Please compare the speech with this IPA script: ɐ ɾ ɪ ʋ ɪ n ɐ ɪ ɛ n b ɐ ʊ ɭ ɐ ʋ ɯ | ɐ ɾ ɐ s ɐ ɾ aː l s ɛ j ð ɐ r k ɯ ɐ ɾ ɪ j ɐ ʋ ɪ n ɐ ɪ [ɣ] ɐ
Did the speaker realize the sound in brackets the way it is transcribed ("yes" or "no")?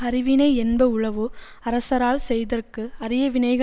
yes